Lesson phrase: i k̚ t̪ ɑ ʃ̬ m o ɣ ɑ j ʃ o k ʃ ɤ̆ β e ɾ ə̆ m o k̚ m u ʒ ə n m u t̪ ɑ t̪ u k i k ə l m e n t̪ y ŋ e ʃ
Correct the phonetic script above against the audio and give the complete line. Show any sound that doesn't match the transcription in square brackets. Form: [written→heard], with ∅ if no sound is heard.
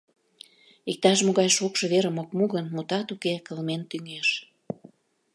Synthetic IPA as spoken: i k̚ t̪ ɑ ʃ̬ m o ɣ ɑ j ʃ o k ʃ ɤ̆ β e ɾ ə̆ m o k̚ m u [ʒ→ɣ] ə n m u t̪ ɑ t̪ u k [i→e] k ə l m e n t̪ y ŋ e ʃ